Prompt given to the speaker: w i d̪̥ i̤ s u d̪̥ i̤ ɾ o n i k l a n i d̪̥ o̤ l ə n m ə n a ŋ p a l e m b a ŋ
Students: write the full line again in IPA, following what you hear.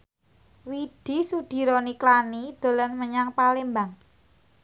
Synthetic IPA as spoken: w i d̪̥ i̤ s u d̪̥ i̤ ɾ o n i k l a n i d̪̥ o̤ l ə n m ə ɲ a ŋ p a l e m b a ŋ